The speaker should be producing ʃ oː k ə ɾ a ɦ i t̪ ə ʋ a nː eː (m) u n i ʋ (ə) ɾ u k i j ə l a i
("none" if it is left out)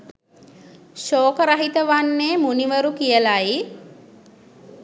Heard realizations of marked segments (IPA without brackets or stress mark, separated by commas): m, ə